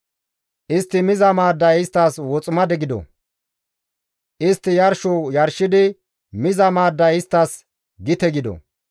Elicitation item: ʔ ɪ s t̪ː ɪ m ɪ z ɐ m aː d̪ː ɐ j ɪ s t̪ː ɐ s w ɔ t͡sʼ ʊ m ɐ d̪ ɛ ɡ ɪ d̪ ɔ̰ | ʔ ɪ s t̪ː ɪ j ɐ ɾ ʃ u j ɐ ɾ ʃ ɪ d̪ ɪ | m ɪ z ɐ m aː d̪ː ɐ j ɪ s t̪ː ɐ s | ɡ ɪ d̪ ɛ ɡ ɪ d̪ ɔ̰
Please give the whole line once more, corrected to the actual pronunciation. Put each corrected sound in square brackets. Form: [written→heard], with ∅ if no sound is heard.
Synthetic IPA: ʔ ɪ s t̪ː ɪ m ɪ z ɐ m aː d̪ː ɐ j ɪ s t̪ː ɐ s w ɔ t͡sʼ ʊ m ɐ d̪ ɛ ɡ ɪ d̪ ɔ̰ | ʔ ɪ s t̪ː ɪ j ɐ ɾ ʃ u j ɐ ɾ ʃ ɪ d̪ ɪ | m ɪ z ɐ m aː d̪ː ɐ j ɪ s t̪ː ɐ s | ɡ ɪ [d̪→t̪] ɛ ɡ ɪ d̪ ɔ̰